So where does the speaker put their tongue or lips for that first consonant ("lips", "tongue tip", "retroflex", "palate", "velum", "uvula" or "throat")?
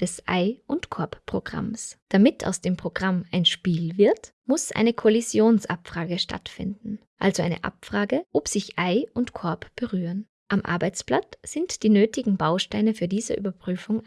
tongue tip